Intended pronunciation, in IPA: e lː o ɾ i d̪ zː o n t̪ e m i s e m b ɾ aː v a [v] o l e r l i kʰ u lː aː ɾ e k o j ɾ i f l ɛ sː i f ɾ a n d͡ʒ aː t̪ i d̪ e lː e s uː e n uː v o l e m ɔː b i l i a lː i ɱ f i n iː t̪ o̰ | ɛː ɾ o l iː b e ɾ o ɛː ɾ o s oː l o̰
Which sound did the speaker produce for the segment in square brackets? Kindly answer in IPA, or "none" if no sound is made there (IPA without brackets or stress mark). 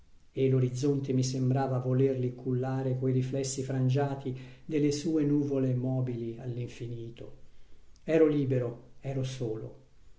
v